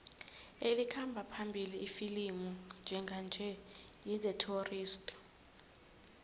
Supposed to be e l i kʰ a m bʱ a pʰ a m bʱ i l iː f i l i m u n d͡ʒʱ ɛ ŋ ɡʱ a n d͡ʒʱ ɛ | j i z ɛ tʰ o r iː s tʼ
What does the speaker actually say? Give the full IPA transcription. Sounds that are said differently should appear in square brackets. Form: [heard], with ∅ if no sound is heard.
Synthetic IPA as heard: e l i kʰ a m bʱ a pʰ a m bʱ i l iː f i l i m u n d͡ʒʱ ɛ ŋ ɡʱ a n d͡ʒʱ ɛ | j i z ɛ tʰ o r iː s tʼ